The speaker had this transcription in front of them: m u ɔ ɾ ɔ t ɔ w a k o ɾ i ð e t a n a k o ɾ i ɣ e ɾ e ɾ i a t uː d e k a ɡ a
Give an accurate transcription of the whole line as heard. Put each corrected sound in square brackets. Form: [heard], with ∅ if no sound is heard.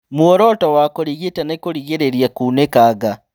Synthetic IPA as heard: m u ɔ ɾ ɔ t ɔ w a k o ɾ i [ɣ] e t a n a k o ɾ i ɣ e ɾ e ɾ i a [k] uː [n] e k a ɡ a